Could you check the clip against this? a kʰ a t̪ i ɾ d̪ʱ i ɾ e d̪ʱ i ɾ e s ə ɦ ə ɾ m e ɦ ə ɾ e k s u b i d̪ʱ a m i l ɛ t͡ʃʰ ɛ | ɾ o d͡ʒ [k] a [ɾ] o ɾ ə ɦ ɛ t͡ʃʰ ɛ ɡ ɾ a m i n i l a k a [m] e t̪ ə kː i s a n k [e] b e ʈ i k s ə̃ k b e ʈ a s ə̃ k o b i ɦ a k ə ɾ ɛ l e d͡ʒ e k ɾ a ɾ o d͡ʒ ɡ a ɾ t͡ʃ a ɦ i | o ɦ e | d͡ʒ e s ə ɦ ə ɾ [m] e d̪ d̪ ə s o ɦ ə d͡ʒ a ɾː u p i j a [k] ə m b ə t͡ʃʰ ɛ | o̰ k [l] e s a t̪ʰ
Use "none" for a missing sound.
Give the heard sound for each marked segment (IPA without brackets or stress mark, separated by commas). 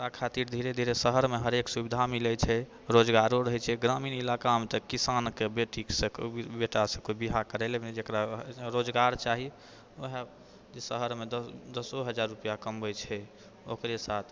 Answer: ɡ, ɾ, m, e, m, k, ɾ